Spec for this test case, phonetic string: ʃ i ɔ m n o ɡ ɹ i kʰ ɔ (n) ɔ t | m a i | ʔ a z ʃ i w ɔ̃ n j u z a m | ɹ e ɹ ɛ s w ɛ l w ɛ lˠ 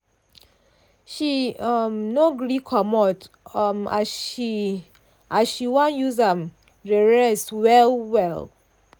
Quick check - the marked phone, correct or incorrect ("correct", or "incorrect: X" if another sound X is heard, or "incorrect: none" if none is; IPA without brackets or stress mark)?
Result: incorrect: m